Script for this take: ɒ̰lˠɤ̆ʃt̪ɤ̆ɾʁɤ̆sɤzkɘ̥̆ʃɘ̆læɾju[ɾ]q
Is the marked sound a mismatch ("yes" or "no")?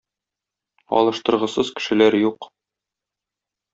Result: yes